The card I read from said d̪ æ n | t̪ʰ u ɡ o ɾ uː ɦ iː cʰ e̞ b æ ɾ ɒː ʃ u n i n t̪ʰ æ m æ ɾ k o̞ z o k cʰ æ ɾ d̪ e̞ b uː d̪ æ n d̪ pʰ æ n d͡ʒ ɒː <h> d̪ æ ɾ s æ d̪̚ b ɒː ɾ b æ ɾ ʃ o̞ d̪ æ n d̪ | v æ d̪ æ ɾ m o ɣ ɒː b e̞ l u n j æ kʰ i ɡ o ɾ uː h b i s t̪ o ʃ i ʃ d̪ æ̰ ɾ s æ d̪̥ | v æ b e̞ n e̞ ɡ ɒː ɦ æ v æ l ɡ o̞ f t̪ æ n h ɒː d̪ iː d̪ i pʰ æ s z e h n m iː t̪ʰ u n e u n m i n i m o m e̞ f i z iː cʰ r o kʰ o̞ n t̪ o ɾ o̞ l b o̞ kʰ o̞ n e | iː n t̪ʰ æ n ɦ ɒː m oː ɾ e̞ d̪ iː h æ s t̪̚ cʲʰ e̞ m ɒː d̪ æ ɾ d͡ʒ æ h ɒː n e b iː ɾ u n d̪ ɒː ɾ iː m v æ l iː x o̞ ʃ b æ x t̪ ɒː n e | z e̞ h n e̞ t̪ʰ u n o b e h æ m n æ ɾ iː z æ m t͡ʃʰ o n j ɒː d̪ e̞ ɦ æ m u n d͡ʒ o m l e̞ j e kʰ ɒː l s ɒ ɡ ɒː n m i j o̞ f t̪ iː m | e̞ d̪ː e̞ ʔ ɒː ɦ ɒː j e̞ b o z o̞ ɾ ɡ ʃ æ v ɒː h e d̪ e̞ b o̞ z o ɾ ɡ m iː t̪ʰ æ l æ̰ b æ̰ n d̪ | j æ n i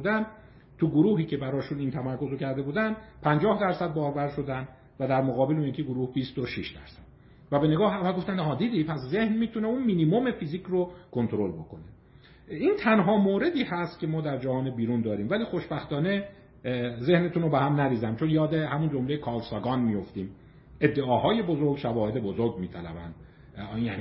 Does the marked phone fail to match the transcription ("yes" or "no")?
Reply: no